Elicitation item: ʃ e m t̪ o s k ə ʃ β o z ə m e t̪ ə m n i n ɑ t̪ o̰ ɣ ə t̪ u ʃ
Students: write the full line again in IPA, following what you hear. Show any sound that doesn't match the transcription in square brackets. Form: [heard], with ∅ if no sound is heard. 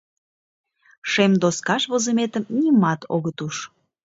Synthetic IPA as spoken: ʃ e m [d̪] o s k [ɑ] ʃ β o z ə m e t̪ ə m n i [m] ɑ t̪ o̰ ɣ ə t̪ u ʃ